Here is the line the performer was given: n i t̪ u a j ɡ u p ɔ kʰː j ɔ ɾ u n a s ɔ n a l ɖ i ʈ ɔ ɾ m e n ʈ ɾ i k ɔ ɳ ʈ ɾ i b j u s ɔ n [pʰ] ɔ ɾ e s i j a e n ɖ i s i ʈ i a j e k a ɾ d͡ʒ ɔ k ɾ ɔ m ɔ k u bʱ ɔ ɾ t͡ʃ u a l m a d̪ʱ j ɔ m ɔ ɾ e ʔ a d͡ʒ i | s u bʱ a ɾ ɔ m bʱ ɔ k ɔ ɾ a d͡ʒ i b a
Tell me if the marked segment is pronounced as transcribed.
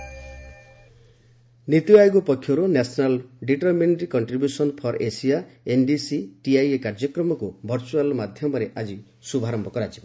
yes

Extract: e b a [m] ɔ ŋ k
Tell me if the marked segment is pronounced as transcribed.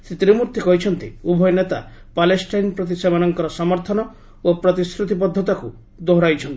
no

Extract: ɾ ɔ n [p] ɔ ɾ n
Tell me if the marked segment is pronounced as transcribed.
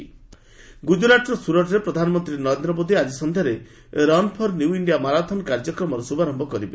no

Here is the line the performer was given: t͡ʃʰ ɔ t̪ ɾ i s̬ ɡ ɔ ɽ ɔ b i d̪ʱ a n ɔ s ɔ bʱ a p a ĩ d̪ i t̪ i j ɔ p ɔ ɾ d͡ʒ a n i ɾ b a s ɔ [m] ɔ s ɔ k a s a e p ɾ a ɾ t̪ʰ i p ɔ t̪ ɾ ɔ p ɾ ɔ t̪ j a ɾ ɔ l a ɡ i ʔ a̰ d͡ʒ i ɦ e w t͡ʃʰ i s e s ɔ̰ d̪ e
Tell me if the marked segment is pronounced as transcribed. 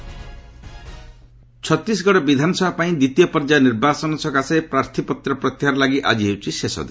no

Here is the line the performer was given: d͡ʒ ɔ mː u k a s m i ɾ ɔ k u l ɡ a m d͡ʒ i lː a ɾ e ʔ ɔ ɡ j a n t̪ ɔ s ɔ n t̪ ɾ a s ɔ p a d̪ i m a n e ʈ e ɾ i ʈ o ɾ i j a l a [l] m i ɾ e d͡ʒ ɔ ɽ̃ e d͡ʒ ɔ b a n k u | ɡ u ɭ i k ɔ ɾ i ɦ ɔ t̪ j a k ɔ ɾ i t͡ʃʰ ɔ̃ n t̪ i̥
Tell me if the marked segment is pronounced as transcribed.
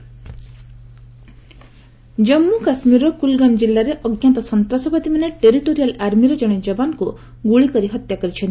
no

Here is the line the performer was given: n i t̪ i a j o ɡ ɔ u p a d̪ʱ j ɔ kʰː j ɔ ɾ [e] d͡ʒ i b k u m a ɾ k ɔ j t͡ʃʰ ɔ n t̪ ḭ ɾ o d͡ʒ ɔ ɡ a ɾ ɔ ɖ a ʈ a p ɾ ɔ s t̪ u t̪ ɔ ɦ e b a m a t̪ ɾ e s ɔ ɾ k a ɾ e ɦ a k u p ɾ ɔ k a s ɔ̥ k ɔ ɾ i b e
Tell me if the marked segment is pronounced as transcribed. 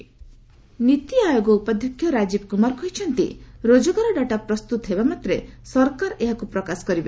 no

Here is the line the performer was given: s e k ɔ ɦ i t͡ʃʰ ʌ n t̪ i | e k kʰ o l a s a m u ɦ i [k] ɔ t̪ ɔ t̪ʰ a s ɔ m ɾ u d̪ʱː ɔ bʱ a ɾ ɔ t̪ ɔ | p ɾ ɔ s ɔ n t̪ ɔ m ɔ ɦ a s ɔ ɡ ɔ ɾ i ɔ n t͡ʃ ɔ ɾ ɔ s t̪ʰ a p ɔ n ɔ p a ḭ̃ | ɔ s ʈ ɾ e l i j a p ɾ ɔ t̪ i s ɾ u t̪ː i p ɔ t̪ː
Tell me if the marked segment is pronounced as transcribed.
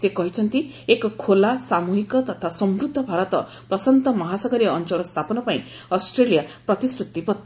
yes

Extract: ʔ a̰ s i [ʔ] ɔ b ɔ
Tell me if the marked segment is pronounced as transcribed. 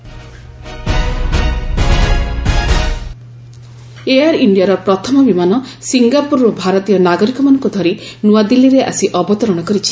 yes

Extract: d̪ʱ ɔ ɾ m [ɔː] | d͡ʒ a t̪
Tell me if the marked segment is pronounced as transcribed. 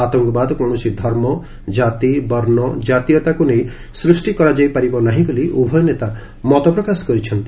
no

